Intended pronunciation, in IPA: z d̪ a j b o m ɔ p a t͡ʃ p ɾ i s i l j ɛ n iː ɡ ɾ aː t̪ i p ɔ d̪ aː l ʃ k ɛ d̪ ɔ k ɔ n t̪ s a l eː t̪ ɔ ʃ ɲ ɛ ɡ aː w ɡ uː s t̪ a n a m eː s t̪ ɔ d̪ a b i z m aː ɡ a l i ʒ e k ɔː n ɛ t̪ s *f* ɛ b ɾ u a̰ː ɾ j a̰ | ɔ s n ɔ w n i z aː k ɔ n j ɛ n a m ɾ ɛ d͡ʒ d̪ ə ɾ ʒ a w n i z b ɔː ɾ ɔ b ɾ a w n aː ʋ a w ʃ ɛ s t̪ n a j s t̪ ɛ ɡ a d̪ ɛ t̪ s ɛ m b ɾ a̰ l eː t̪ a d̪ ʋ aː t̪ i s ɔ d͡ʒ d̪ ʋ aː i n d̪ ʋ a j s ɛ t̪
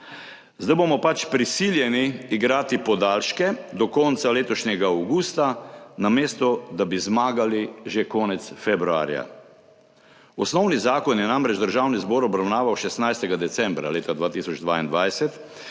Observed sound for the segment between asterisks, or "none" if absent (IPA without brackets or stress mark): f